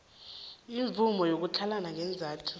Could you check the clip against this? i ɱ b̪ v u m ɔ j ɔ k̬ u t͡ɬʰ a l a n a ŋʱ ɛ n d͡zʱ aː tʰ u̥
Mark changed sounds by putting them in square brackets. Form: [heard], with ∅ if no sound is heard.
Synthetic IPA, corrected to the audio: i ɱ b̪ v u m ɔ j [o] k̬ u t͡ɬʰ a l a n a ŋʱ ɛ n d͡zʱ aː tʰ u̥